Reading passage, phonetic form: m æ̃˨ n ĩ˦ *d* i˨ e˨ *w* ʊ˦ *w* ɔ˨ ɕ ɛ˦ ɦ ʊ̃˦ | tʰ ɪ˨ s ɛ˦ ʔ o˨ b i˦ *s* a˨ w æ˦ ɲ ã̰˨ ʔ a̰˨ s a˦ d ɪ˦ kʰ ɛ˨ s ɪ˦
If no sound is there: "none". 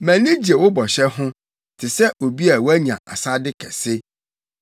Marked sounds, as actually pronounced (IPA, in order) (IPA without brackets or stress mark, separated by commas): d͡ʑ, w, b, none